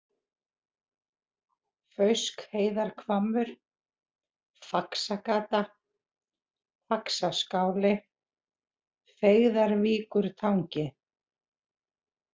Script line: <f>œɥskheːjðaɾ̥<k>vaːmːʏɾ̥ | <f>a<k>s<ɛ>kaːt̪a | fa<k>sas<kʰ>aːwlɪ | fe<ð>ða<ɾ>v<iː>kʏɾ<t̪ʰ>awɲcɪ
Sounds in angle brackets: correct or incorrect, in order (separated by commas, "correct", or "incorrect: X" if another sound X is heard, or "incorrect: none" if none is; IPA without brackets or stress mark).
correct, incorrect: kʰ, correct, correct, incorrect: a, correct, incorrect: k, incorrect: ɣ, correct, correct, correct